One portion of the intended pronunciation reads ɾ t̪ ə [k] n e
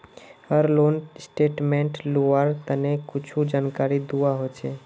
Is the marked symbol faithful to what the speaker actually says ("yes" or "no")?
no